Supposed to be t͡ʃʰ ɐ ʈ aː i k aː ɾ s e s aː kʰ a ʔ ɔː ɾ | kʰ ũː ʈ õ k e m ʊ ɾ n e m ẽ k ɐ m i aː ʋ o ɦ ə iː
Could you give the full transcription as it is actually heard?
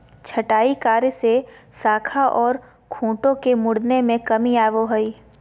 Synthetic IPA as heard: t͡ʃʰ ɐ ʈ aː i k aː ɾ s e s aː kʰ a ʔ ɔː ɾ | kʰ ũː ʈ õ k e m ʊ ɽ n e m ẽ k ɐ m i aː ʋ o ɦ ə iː